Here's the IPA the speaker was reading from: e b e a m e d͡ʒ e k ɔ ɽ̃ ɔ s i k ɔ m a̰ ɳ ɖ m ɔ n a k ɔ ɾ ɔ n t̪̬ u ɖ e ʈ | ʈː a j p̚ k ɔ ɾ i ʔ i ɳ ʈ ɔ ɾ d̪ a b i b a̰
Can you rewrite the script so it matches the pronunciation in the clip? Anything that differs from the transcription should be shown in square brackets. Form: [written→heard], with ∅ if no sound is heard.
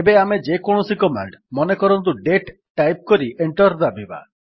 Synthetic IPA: e b e a m e d͡ʒ e k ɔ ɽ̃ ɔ s i k ɔ m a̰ ɳ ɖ m ɔ n [a→e] k ɔ ɾ ɔ n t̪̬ u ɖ e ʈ | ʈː a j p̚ k ɔ ɾ i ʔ [i→e] ɳ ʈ ɔ ɾ d̪ a b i b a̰